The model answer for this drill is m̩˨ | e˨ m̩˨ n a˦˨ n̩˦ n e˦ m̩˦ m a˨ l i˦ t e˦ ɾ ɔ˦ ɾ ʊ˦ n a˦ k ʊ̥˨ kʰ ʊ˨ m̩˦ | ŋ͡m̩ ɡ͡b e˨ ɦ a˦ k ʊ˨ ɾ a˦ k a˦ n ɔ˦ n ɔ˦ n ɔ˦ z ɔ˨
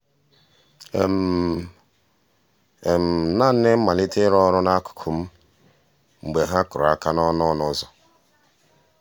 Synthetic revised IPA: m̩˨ | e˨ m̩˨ n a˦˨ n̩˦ n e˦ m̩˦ m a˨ l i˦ t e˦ ɾ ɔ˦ ɾ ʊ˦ n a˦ k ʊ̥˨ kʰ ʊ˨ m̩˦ | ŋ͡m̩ ɡ͡b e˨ ɦ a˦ k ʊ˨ ɾ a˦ k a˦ n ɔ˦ n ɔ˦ n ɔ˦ z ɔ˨

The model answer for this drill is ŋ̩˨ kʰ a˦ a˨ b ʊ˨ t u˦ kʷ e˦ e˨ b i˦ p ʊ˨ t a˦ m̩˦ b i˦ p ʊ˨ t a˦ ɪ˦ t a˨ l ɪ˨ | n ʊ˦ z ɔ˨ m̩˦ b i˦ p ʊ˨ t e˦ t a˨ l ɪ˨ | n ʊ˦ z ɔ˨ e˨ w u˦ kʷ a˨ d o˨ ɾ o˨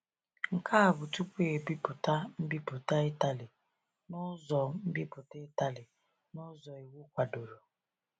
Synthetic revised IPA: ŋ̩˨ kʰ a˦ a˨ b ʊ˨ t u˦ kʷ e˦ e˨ b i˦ p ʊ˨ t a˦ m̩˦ b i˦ p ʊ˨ t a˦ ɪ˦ t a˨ l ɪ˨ | n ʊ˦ z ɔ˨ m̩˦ b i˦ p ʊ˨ t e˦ t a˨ l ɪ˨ | n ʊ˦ z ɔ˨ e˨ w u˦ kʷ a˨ d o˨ ɾ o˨

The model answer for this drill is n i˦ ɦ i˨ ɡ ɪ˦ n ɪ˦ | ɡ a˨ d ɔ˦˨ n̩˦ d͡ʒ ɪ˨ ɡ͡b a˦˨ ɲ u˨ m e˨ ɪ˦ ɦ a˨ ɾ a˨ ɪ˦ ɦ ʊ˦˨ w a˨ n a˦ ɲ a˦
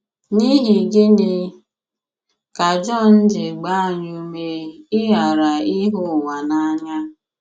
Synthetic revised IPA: n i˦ ɦ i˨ ɡ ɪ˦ n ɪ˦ | k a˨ d͡ʒ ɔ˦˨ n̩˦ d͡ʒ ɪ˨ ɡ͡b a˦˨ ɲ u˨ m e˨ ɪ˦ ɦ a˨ ɾ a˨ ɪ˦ ɦ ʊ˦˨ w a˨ n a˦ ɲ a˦

